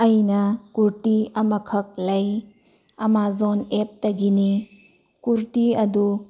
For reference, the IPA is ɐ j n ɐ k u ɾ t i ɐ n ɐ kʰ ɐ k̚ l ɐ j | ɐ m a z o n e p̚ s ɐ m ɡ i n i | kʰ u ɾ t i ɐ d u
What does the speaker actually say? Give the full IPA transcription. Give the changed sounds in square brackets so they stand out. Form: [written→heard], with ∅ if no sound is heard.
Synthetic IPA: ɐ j n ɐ k u ɾ t i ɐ [n→m] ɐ kʰ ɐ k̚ l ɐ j | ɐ m a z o n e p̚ [s→t] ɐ [m→∅] ɡ i n i | [kʰ→k] u ɾ t i ɐ d u